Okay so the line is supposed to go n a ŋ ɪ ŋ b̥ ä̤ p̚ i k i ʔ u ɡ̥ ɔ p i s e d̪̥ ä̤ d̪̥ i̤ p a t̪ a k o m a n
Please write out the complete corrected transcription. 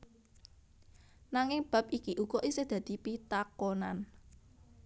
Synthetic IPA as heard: n a ŋ ɪ ŋ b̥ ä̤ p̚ i k i ʔ u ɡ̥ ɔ ʔ i s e d̪̥ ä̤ d̪̥ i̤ p i t̪ a k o n a n